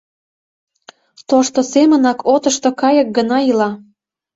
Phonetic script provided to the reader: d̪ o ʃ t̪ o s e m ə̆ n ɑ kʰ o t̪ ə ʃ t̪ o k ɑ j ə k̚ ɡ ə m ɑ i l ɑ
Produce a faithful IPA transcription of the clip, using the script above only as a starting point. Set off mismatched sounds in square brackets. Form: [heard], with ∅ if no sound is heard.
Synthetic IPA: [t̪] o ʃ t̪ o s e m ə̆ n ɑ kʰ o t̪ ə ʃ t̪ o k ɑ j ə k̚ ɡ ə [n] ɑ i l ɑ